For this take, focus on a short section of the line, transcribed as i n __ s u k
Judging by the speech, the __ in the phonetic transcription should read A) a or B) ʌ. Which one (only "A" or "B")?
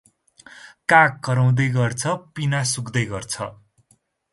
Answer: A